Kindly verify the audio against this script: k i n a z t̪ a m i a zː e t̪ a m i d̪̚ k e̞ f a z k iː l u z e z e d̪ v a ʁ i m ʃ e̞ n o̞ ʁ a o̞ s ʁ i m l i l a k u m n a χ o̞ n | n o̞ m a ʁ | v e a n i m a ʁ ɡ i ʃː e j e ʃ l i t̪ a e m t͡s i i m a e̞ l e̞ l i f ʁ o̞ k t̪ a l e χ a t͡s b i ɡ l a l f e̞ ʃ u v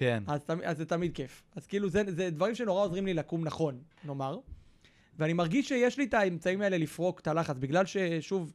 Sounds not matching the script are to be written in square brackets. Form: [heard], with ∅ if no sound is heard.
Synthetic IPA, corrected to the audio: k [e] n a z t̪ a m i a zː e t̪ a m i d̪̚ k e̞ f a z k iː l u z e z e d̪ v a ʁ i m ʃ e̞ n o̞ ʁ a o̞ [z] ʁ i m l i l a k u m n a χ o̞ n | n o̞ m a ʁ | v e a n i m a ʁ ɡ i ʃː e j e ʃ l i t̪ a e m t͡s [a] i m a e̞ l e̞ l i f ʁ o̞ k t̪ a l [a] χ a t͡s b i ɡ l a l [ʃ] e̞ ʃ u v